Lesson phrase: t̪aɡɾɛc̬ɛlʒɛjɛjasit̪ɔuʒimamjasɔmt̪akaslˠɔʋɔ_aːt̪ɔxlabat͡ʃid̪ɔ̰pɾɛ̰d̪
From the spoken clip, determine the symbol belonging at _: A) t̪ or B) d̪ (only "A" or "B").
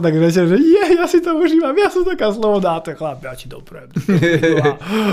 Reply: B